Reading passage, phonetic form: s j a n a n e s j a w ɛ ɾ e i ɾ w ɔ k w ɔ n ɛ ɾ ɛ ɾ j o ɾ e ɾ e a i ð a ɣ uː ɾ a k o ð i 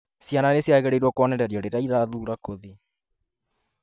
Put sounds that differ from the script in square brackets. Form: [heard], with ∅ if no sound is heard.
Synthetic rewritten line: s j a n a n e s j a [ɣ] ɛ ɾ e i ɾ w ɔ k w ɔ n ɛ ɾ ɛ ɾ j [ɔ] ɾ e ɾ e a i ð a [ð] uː ɾ a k o ð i

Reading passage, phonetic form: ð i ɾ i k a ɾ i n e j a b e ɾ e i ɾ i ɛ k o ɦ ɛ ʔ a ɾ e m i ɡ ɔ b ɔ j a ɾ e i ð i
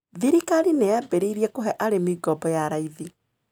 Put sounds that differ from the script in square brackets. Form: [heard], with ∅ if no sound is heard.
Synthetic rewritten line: ð i ɾ i k a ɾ i n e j a b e ɾ e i ɾ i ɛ k o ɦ ɛ ʔ a ɾ e m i ɡ ɔ b ɔ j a ɾ [a] i ð i

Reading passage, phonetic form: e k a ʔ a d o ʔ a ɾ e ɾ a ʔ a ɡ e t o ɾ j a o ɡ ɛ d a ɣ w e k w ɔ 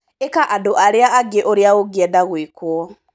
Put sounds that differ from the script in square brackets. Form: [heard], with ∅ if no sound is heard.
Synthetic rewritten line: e k a ʔ a d o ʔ a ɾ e [∅] a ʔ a ɡ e [ʔ] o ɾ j a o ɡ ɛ d a ɣ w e k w ɔ

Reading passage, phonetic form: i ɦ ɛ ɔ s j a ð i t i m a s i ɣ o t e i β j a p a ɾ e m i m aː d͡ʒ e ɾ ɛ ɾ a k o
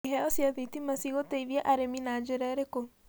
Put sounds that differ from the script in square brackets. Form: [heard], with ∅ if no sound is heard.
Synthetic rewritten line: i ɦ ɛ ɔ s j a ð i t i m a s i ɣ o t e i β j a [ʔ] a ɾ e m i [n] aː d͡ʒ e ɾ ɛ ɾ [e] k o

